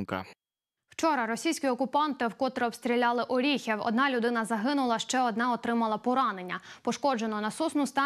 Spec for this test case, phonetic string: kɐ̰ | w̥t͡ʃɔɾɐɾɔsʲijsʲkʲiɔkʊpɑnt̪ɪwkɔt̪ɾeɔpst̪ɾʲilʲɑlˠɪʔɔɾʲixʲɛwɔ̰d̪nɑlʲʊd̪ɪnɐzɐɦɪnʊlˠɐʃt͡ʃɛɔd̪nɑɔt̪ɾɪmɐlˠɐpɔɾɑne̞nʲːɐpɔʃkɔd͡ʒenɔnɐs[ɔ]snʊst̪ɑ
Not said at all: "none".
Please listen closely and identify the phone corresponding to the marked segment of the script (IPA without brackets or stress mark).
u